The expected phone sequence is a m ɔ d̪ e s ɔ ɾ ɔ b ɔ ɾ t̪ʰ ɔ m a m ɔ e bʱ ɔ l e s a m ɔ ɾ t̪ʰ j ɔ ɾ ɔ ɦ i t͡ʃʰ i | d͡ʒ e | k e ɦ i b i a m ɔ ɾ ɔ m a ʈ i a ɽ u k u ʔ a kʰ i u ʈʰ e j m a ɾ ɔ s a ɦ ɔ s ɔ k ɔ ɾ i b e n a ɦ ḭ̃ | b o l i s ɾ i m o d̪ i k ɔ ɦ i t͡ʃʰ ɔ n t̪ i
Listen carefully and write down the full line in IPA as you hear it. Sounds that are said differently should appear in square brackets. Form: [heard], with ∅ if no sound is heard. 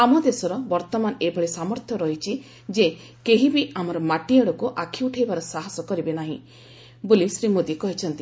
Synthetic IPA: a m ɔ d̪ e s ɔ ɾ ɔ b ɔ ɾ [t̪] ɔ m a [n] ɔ e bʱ ɔ [ɭ] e s a m ɔ ɾ t̪ʰ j ɔ ɾ ɔ ɦ i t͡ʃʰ i | d͡ʒ e | k e ɦ i b i a m ɔ ɾ ɔ m a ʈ i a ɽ [ɔ] k u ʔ a kʰ i u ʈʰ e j [b] a ɾ ɔ s a ɦ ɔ s ɔ k ɔ ɾ i b e n a ɦ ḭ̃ | b o l i s ɾ i m o d̪ i k ɔ ɦ i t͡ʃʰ ɔ n t̪ i